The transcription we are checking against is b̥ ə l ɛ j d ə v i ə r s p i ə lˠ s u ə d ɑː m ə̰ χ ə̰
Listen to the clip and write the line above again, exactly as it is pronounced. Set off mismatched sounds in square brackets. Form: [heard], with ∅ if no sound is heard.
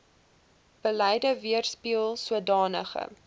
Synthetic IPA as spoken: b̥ ə l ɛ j d ə v i ə r s p i ə lˠ s u ə d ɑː [n] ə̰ χ ə̰